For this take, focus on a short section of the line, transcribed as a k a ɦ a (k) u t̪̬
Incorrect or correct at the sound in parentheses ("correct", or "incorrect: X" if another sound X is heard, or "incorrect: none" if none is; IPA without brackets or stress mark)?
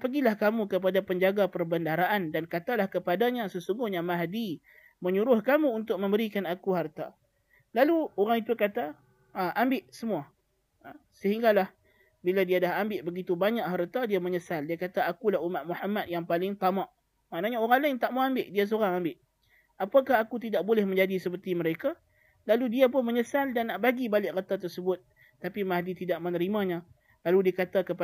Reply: correct